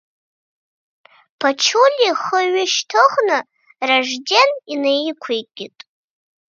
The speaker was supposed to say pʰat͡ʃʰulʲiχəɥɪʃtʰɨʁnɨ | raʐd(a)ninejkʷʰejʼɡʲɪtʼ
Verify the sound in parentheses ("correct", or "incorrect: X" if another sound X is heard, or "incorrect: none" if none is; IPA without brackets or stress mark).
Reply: incorrect: e